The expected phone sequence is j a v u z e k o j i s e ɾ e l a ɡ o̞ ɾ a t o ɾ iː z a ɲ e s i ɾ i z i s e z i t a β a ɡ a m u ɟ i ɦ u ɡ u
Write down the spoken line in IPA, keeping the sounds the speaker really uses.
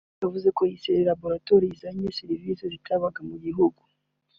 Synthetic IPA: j a v u z e k o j i s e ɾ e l a b o̞ ɾ a t o ɾ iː z a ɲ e s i ɾ i v i s e z i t a β a ɡ a m u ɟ i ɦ u ɡ u